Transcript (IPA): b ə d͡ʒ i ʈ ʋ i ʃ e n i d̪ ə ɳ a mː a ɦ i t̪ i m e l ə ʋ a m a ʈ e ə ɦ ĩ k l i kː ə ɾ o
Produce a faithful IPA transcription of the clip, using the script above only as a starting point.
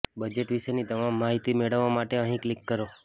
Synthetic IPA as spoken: b ə d͡ʒ e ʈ ʋ i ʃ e n i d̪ ə m a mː a ɦ i t̪ i m e ɭ ə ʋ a m a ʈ e ə ɦ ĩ k l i kː ə ɾ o

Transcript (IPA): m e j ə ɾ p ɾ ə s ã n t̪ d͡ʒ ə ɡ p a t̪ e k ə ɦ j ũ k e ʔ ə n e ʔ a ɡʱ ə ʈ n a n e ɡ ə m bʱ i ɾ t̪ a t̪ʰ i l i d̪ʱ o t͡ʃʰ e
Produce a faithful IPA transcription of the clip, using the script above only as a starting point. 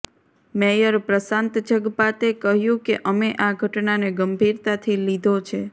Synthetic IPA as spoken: m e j ə ɾ p ɾ ə s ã n t̪ d͡ʒ ə ɡ p a t̪ e k ə ɦ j ũ k e ʔ ə m e ʔ a ɡʱ ə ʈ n a n e ɡ ə m bʱ i ɾ t̪ a t̪ʰ i l i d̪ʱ o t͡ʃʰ e

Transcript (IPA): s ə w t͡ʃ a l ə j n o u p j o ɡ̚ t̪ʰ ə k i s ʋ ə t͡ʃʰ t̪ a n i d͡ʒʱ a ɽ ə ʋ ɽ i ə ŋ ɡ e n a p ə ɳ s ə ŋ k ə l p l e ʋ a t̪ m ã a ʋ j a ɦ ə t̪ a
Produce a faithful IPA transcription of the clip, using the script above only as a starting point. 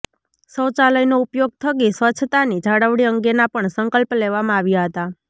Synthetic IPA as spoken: s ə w t͡ʃ a l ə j n o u p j o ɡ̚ t̪ʰ ə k i s ʋ ə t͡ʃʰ t̪ a n i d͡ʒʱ a ɽ ə ʋ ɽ i ə ŋ ɡ e n a p ə ɳ s ə ŋ k ə l p l e ʋ a m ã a ʋ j a ɦ ə t̪ a

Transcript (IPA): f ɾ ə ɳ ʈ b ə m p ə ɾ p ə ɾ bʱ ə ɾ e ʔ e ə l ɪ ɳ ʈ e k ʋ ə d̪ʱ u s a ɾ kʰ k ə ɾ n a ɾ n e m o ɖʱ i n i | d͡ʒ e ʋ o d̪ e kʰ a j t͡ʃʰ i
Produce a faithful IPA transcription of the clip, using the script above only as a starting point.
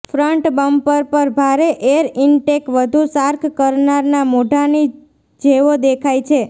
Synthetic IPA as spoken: f ɾ ə ɳ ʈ b ə m p ə ɾ p ə ɾ bʱ a ɾ e ʔ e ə ɾ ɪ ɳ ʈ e k ʋ ə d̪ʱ u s a ɾ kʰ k ə ɾ n a ɾ n a m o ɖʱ a n i | d͡ʒ e ʋ o d̪ e kʰ a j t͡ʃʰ e

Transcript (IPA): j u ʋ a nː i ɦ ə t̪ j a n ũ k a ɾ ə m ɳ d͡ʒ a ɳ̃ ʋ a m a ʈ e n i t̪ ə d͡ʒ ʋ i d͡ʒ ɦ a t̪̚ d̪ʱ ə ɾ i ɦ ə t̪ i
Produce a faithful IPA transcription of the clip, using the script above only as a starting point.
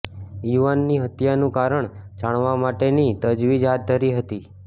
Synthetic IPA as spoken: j u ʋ a nː i ɦ ə t̪ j a n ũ k a ɾ ə ɳ d͡ʒ a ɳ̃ ʋ a m a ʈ e n i t̪ ə d͡ʒ ʋ i d͡ʒ ɦ a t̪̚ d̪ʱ ə ɾ i ɦ ə t̪ i

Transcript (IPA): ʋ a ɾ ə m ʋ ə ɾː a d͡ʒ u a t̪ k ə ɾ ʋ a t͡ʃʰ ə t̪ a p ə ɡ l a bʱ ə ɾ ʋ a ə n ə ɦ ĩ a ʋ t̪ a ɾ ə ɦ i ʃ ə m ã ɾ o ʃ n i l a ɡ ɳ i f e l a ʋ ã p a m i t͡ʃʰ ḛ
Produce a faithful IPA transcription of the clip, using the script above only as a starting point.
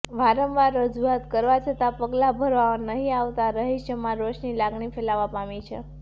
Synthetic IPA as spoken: ʋ a ɾ ə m ʋ a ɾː ə d͡ʒ u a t̪ k ə ɾ ʋ a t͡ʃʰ ə t̪ a p ə ɡ l a bʱ ə ɾ ʋ a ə n ə ɦ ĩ a ʋ t̪ a ɾ ə ɦ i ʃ ə m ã ɾ o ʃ n i l a ɡ ɳ i f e l a ʋ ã p a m i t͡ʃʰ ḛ

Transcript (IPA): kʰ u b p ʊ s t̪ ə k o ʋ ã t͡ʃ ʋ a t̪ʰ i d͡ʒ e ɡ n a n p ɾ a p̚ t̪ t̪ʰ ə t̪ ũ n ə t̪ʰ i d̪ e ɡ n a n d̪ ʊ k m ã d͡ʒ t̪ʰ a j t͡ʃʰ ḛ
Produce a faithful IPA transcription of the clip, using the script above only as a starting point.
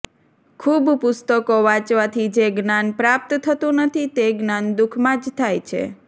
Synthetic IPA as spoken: kʰ u b p ʊ s t̪ ə k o ʋ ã t͡ʃ ʋ a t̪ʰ i d͡ʒ e ɡ n a n p ɾ a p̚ t̪ t̪ʰ ə t̪ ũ n ə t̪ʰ i t̪ e ɡ n a n d̪ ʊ kʰ m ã d͡ʒ t̪ʰ a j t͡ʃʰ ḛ

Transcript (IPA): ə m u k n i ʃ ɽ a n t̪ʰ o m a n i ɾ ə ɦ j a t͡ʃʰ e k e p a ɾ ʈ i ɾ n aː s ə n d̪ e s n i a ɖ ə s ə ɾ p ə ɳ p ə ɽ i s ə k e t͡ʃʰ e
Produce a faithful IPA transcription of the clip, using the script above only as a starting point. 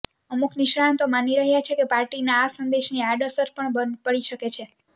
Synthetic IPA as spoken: ə m u k n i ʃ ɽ a n t̪ o m a n i ɾ ə ɦ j a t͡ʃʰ e k e p a ɾ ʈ i n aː s ə n d̪ e ʃ n i a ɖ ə s ə ɾ p ə ɳ p ə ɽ i ʃ ə k e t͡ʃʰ e

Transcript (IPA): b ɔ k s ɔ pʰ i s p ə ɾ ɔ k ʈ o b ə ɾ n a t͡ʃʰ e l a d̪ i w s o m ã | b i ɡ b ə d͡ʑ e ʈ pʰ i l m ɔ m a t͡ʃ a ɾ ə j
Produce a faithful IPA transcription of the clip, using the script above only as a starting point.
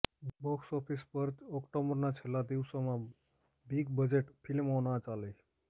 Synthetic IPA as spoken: b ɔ k s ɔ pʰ i s p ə ɾ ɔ k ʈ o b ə ɾ n a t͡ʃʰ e l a d̪ i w s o m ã | b i ɡ b ə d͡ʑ e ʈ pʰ i l m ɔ n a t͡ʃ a l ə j

